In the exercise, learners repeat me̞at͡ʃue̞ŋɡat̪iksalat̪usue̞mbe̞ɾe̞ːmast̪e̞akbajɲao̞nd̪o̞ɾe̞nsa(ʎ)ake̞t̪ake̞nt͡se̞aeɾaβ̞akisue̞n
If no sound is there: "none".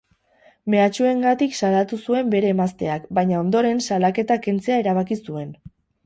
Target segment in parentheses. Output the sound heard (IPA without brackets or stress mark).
l